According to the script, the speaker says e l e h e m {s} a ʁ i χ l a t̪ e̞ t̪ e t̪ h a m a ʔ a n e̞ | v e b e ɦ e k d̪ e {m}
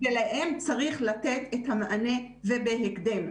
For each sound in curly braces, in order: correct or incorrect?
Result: incorrect: t͡s, correct

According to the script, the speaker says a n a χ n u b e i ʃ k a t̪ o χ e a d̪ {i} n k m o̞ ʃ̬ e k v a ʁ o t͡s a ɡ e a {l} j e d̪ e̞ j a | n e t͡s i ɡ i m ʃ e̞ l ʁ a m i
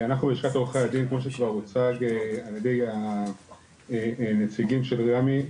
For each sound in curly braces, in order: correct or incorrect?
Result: correct, correct

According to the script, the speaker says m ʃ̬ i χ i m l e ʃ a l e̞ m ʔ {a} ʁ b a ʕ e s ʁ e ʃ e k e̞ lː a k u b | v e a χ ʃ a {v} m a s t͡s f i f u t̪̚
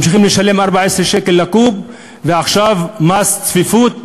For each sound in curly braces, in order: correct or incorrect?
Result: correct, correct

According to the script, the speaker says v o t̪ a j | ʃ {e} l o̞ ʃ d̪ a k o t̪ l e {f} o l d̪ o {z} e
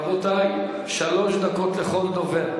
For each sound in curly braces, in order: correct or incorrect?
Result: incorrect: a, incorrect: χ, incorrect: v

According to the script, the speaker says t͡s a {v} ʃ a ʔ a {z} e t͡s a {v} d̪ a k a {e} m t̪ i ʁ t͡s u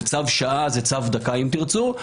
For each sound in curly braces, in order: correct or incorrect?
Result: correct, correct, correct, incorrect: i

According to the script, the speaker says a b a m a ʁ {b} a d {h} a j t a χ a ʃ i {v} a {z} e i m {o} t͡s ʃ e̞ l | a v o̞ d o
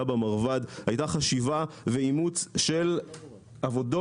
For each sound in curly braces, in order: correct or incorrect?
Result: incorrect: v, correct, correct, incorrect: v, incorrect: u

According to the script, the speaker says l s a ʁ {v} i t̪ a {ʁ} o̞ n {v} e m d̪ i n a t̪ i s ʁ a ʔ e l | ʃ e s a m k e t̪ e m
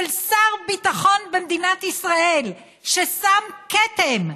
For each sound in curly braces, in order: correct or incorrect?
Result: incorrect: b, incorrect: χ, incorrect: b

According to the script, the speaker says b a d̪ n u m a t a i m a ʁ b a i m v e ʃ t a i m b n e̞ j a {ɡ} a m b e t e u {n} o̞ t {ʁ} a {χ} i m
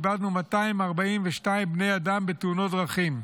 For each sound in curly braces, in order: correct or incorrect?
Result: incorrect: d, correct, correct, correct

